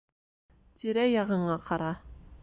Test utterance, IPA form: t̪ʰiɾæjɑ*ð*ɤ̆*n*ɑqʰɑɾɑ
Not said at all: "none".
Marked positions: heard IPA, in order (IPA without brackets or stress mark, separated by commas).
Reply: ʁ, ɴ